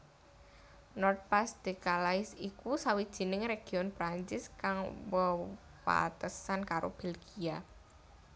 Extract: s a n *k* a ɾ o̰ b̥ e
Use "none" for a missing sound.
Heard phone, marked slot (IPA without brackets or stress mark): k